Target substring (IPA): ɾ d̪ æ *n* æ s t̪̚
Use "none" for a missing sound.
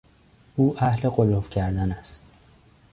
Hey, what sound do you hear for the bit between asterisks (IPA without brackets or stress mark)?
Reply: n